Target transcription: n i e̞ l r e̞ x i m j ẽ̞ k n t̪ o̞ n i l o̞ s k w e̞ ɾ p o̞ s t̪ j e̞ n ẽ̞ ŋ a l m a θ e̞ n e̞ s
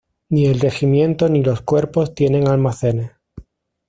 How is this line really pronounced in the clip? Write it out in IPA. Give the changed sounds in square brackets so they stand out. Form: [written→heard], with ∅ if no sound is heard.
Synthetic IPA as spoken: n i e̞ l r e̞ x i m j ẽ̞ [k→∅] n t̪ o̞ n i l o̞ s k w e̞ ɾ p o̞ s t̪ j e̞ n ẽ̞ ŋ a l m a θ e̞ n e̞ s